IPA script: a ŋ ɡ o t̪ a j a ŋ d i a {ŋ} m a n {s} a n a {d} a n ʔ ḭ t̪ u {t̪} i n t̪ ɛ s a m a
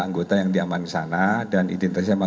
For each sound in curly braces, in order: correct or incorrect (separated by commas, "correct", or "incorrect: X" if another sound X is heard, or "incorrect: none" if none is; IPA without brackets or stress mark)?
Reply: incorrect: none, correct, correct, incorrect: none